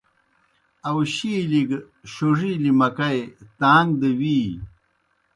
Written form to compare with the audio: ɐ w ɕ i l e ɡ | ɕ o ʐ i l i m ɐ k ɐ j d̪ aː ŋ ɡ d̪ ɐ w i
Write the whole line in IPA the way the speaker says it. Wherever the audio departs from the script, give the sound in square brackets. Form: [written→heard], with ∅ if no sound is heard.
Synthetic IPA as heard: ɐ w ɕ i l [e→i] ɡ | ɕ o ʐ i l i m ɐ k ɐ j [d̪→t̪] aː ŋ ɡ d̪ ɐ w i